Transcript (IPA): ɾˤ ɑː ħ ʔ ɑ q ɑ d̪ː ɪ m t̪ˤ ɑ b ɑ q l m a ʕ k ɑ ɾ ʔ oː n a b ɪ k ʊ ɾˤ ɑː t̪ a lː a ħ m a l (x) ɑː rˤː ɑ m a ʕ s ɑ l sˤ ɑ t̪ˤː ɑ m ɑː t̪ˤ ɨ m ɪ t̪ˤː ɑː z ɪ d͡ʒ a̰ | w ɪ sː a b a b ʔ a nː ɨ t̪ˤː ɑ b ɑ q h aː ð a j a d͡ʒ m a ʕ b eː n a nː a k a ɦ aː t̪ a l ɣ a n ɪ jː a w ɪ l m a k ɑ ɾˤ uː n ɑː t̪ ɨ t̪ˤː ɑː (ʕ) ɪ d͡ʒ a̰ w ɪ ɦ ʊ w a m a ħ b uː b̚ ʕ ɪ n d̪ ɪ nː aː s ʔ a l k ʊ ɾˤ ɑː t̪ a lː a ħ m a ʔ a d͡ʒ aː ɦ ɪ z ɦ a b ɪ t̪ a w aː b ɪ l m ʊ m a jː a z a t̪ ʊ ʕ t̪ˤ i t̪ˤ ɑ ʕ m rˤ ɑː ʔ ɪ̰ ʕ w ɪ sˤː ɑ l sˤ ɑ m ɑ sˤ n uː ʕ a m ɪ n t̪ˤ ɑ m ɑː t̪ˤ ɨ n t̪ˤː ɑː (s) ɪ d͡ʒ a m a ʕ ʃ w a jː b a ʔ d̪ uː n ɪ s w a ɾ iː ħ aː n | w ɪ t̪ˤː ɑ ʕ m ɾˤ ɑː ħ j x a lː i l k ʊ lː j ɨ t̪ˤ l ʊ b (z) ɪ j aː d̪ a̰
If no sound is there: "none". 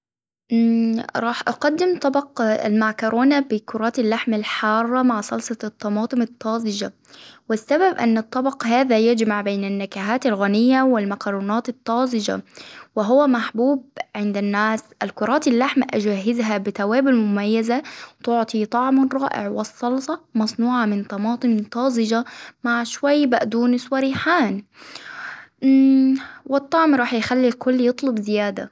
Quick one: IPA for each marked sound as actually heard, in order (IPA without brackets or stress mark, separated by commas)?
ħ, z, z, z